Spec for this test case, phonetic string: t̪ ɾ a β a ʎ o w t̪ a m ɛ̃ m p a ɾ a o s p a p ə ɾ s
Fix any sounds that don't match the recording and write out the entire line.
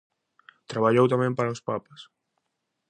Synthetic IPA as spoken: t̪ ɾ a β a ʎ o w t̪ a m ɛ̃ m p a ɾ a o s p a p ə s